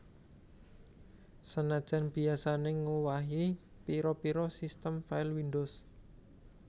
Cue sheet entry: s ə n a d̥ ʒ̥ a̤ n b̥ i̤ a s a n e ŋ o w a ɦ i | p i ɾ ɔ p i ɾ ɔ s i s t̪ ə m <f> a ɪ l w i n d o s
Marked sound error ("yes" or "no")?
no